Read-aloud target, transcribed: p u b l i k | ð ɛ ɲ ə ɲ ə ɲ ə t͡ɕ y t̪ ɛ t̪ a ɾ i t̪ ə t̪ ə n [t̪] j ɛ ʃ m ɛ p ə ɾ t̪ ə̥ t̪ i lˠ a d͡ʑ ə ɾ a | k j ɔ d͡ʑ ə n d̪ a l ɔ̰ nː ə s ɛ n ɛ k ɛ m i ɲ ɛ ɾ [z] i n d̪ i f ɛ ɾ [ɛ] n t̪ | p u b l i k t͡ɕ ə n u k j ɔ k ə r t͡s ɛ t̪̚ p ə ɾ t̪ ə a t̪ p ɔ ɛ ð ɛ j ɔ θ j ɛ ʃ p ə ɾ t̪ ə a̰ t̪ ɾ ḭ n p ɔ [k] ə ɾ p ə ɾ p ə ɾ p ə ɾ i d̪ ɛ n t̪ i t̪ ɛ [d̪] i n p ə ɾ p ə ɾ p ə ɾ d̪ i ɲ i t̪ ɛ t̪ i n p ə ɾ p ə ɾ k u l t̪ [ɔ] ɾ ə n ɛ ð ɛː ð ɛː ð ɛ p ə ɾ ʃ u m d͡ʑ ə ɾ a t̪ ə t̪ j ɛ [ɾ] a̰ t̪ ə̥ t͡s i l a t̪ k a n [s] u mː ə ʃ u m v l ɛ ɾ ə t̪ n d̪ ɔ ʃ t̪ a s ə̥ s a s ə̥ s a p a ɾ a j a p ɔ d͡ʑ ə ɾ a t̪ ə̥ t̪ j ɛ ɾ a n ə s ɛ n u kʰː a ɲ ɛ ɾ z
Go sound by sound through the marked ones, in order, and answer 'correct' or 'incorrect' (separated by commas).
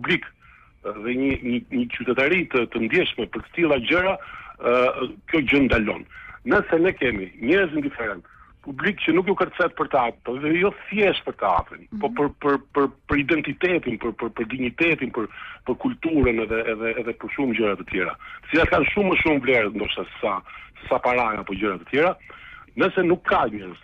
incorrect, correct, correct, incorrect, incorrect, incorrect, correct, incorrect